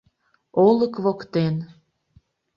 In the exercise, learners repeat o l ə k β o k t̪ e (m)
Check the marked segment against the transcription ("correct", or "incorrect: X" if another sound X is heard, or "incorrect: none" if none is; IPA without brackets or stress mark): incorrect: n